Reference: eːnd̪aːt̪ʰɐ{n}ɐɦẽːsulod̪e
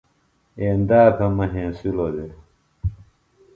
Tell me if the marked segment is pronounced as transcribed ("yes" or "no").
no